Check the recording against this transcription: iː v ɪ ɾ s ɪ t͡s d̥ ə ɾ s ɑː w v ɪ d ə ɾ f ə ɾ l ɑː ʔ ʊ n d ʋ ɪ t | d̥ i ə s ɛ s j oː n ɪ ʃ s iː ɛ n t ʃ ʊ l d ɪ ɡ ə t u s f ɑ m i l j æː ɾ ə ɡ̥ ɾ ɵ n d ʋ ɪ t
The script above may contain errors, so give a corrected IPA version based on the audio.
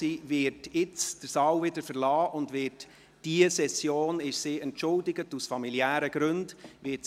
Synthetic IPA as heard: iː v ɪ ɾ t ɪ t͡s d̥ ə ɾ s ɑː w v ɪ d ə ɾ f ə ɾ l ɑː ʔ ʊ n d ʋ ɪ t | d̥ i ə s ɛ s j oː n ɪ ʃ s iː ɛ n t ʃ ʊ l d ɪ ɡ ə t u s f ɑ m i l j æː ɾ ə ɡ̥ ɾ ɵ n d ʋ ɪ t